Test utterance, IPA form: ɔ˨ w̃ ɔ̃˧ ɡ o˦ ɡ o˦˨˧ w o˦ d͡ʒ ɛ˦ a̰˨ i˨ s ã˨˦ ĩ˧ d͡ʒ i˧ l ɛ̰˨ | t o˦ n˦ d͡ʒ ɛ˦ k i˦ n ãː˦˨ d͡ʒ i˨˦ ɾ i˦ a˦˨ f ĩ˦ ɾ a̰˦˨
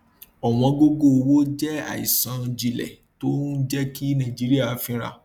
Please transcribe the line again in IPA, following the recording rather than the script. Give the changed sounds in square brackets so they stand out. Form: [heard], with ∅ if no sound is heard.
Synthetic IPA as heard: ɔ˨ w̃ ɔ̃˧ ɡ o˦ ɡ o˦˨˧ w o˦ d͡ʒ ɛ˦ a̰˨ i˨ s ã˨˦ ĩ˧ d͡ʒ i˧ l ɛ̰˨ | t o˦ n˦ d͡ʒ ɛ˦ k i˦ n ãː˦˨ d͡ʒ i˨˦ ɾ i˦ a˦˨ f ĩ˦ ɾ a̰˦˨